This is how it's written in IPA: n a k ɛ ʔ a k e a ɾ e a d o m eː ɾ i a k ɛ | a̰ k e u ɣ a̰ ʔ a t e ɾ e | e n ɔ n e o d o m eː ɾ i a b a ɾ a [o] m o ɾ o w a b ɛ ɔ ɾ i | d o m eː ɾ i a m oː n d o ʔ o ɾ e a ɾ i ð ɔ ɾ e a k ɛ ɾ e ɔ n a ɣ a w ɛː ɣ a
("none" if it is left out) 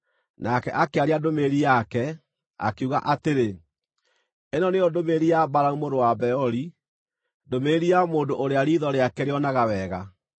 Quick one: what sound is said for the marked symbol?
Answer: u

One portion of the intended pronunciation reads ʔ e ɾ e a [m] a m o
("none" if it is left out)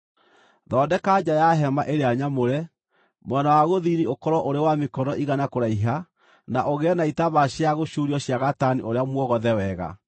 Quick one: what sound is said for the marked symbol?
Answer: ɲ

